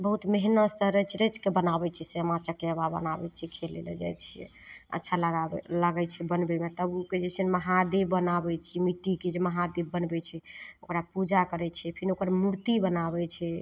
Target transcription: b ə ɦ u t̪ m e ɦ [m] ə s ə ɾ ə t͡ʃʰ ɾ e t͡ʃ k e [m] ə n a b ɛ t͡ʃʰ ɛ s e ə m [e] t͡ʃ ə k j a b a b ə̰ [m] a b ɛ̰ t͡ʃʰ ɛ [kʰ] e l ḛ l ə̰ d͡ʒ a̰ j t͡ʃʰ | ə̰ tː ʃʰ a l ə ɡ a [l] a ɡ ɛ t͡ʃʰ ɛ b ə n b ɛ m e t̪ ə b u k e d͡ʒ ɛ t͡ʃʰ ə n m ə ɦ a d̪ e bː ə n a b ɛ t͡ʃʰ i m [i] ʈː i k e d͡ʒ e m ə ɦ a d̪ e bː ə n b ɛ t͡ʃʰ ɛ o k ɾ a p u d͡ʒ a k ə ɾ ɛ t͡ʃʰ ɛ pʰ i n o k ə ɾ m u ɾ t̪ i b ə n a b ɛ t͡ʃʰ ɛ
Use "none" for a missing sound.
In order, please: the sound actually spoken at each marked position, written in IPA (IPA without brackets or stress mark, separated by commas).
n, b, a, n, kʰ, l, i